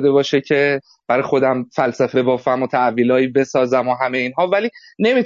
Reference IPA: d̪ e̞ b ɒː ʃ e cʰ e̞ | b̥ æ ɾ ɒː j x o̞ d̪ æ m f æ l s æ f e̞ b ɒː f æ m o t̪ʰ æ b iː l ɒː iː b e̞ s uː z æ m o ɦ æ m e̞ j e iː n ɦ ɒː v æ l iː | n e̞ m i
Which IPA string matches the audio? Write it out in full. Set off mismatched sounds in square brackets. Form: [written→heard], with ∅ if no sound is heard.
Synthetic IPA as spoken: d̪ e̞ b ɒː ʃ e cʰ e̞ | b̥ æ ɾ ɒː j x o̞ d̪ æ m f æ l s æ f e̞ b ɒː f æ m o t̪ʰ æ [b→v] iː l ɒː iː b e̞ s [uː→ɒː] z æ m o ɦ æ m e̞ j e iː n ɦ ɒː v æ l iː | n e̞ m i